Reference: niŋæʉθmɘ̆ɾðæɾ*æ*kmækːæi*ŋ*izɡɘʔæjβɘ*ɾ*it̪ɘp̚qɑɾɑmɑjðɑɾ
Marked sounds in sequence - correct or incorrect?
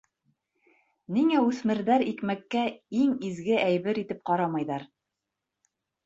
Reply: incorrect, correct, correct

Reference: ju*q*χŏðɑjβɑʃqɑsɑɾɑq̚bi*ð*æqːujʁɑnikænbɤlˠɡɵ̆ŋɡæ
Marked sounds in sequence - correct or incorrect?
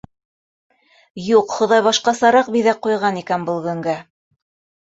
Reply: correct, correct

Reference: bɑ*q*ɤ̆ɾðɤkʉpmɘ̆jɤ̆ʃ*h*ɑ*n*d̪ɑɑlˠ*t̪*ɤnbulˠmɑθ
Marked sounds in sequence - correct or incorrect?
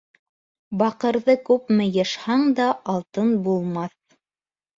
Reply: correct, correct, incorrect, correct

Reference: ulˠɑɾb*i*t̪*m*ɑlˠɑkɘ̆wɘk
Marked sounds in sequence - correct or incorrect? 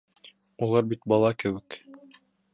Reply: correct, incorrect

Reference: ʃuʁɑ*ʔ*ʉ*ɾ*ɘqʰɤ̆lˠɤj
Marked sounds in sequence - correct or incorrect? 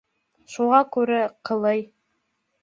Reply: incorrect, correct

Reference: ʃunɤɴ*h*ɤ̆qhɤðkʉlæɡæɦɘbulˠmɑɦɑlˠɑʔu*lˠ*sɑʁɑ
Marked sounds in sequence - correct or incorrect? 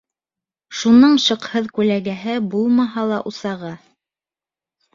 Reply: incorrect, incorrect

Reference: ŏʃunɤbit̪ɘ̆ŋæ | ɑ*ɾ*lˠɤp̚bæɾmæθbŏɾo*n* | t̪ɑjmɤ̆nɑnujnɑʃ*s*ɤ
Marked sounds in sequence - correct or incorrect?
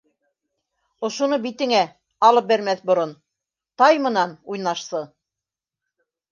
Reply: incorrect, correct, correct

